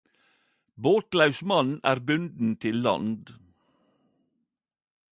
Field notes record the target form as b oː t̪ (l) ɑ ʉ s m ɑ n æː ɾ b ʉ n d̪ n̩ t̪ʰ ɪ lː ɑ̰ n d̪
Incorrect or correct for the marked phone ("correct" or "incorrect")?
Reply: correct